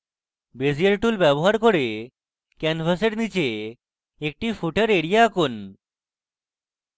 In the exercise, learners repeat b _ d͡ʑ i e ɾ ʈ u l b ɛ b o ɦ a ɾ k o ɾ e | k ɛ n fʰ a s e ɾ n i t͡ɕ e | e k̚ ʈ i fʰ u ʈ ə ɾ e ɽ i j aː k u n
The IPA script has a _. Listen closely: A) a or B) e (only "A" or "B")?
B